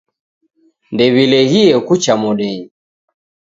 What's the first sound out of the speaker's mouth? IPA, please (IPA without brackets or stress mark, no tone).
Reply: n